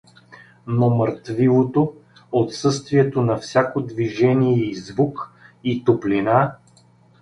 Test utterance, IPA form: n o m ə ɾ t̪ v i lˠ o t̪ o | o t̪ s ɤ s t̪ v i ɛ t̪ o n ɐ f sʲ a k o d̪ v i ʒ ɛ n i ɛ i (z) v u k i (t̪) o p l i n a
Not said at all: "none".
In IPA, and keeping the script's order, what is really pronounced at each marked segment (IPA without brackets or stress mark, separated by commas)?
z, t̪